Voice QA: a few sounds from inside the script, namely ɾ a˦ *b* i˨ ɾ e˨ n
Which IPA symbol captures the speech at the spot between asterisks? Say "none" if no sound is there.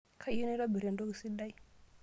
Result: b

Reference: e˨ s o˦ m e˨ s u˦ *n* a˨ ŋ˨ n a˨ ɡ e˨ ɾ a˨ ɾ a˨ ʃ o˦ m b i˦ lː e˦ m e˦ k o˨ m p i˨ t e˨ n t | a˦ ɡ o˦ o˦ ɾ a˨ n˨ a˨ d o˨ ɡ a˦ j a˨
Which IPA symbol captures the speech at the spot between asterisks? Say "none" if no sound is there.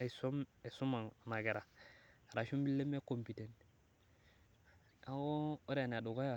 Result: m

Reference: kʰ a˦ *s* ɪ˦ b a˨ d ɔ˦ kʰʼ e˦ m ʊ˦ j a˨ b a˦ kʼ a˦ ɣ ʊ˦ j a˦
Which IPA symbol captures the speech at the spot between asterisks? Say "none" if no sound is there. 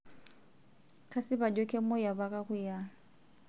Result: s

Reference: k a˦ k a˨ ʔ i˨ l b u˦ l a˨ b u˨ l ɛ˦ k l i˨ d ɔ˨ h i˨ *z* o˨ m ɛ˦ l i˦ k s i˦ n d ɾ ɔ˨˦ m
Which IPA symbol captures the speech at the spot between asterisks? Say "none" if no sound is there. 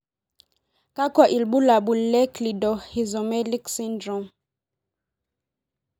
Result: z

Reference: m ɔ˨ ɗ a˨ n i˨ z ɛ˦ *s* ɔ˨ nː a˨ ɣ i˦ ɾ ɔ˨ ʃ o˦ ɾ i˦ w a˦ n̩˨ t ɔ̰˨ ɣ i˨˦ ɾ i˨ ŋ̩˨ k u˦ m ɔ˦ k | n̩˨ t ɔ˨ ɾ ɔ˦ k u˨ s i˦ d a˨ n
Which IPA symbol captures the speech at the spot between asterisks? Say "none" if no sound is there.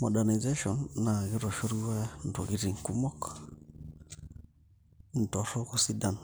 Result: ʃ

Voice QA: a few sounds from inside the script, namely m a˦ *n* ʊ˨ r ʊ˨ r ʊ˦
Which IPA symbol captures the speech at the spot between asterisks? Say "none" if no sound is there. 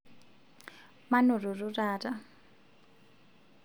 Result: n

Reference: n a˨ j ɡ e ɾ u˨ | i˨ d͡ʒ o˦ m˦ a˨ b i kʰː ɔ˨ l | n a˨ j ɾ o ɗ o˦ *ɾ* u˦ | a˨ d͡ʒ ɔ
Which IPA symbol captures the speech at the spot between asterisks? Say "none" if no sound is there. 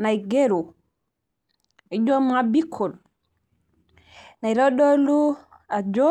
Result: l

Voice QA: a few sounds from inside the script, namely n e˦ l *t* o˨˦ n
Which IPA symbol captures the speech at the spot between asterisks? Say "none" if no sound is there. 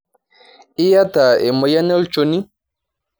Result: t͡ʃ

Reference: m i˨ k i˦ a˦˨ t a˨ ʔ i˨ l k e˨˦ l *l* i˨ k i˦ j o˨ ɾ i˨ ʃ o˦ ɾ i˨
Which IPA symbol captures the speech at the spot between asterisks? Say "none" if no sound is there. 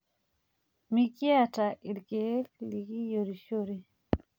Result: l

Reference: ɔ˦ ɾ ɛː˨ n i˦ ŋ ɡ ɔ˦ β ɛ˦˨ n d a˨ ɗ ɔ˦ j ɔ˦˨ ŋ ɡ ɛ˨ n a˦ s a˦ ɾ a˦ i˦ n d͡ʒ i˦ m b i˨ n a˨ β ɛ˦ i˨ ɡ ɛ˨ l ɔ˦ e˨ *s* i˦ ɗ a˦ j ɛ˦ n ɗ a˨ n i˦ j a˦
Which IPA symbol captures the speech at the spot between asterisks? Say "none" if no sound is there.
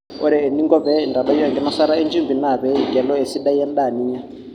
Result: s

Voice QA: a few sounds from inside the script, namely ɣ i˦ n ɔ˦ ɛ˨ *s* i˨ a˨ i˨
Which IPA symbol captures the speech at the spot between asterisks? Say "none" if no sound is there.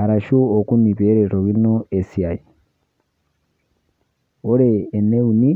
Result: s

